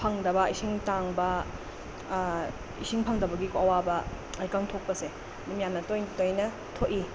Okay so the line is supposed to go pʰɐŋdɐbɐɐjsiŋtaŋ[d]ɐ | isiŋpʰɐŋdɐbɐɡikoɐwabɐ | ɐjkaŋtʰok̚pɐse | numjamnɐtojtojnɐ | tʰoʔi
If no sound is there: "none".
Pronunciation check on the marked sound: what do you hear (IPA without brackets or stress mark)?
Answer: b